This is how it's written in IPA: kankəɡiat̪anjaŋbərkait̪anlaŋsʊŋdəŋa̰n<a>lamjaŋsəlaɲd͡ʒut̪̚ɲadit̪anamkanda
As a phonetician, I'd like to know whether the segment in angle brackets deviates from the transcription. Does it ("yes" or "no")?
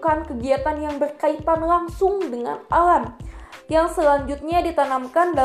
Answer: no